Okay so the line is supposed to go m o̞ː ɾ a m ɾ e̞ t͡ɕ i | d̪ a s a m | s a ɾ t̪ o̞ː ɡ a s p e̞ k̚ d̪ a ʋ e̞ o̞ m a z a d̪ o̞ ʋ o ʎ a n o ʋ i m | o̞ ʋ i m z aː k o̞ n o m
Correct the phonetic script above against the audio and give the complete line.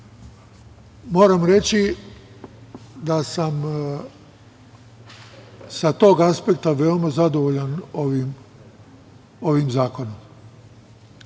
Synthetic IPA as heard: m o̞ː ɾ a m ɾ e̞ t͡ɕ i | d̪ a s a m | s a t̪ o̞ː ɡ a s p e̞ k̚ t̪ a ʋ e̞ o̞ m a z a d̪ o̞ ʋ o ʎ a n o ʋ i m | o̞ ʋ i m z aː k o̞ n o m